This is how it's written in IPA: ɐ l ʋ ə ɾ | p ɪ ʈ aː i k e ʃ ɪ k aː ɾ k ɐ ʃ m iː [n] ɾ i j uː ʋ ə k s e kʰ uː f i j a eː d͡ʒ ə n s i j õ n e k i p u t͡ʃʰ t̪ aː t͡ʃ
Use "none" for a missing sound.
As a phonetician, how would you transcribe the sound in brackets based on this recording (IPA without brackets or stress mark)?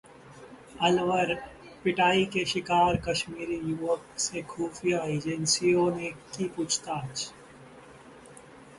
none